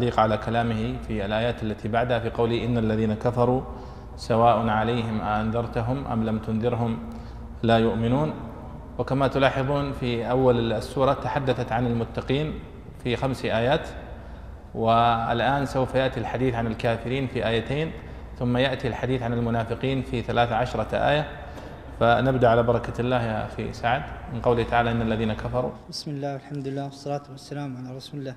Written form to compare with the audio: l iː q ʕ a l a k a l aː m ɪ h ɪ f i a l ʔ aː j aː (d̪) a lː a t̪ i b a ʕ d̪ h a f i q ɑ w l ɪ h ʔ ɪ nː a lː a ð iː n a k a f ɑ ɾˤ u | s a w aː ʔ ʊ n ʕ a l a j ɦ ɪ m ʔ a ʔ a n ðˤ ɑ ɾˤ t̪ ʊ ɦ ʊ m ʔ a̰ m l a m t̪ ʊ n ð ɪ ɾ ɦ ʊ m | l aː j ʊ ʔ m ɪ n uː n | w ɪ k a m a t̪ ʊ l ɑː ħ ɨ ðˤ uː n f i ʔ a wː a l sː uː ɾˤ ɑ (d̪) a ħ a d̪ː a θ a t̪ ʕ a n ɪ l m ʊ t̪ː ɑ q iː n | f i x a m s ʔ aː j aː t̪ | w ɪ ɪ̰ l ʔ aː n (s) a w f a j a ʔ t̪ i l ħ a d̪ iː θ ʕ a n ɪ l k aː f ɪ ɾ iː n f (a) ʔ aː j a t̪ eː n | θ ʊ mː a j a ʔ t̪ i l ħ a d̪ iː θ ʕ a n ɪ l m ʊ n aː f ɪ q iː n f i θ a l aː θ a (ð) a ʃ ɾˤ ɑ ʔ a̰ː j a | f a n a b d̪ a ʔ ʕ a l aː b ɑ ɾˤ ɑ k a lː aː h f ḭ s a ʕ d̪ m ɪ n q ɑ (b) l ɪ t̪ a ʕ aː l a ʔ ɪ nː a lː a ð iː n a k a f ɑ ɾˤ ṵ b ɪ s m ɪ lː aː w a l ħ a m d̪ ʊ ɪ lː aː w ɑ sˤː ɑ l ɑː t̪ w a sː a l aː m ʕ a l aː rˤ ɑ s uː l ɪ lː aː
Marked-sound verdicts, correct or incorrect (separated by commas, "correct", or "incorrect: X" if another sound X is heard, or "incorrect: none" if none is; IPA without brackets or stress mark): incorrect: t̪, incorrect: t̪, correct, incorrect: i, incorrect: ʕ, incorrect: w